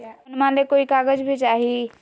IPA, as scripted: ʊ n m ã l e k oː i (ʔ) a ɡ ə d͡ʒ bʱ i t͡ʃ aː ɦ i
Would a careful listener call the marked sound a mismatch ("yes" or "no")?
yes